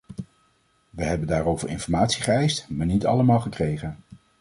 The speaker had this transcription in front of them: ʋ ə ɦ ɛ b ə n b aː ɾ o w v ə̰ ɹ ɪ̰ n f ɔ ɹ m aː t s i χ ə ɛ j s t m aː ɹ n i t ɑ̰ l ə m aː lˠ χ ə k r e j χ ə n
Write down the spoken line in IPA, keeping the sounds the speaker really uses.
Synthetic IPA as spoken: ʋ ə ɦ ɛ b ə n d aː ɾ o w v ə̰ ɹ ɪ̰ n f ɔ ɹ m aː t s i χ ə ɛ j s t m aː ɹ n i t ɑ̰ l ə m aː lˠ χ ə k r e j χ ə n